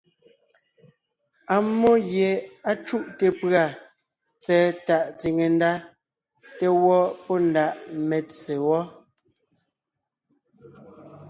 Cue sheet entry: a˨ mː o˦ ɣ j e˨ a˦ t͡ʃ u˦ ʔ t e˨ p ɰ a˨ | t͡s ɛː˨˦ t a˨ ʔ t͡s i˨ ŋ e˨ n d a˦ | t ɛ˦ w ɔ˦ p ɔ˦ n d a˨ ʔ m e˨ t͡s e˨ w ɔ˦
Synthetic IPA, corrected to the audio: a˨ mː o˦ ɣ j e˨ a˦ t͡ʃ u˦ ʔ t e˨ p ɰ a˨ | t͡s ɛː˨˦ t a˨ ʔ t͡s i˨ ŋ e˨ n d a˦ | t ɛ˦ w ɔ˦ p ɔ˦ n d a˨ ʔ m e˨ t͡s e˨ w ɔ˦